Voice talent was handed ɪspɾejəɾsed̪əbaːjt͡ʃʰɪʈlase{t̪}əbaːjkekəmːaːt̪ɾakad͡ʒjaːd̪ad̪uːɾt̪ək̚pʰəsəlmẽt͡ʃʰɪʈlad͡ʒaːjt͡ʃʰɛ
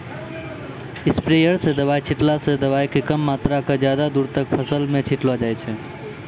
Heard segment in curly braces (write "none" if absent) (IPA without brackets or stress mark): d̪